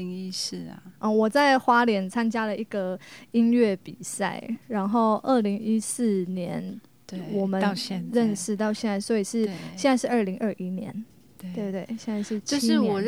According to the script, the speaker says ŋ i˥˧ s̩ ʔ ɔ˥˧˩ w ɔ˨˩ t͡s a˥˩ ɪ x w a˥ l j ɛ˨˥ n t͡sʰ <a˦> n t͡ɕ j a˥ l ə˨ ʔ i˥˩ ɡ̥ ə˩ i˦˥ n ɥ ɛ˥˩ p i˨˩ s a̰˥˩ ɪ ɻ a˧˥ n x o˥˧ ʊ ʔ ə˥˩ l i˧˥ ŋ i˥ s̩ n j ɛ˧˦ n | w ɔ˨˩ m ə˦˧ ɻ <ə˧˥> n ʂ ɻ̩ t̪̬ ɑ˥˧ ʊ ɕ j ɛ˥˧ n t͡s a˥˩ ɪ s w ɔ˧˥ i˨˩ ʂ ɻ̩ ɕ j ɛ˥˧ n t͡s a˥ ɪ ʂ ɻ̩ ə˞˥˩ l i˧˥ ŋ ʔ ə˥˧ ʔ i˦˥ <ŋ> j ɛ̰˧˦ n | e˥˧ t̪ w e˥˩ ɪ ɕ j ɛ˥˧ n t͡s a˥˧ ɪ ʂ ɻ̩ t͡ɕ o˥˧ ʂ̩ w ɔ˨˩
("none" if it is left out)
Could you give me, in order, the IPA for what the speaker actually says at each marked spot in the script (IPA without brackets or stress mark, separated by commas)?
a˦, ə˥˧, n